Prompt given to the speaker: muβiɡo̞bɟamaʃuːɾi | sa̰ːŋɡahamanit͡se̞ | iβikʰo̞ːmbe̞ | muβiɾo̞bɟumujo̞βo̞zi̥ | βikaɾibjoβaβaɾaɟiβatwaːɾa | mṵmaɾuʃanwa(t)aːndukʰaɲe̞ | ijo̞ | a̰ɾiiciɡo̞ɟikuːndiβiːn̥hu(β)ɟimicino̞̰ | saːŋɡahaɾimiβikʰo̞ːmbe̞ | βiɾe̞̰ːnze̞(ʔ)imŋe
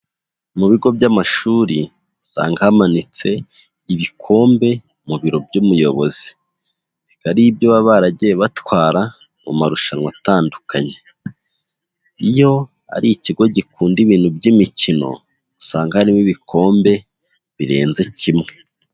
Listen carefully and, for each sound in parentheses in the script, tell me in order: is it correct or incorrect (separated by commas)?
correct, incorrect, incorrect